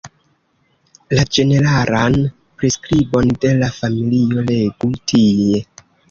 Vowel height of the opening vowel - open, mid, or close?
open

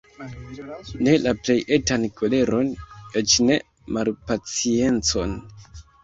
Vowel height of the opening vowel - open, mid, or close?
mid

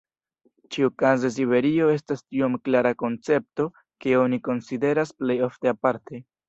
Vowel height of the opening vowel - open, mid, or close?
close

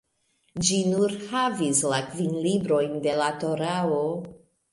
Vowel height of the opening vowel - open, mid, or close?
close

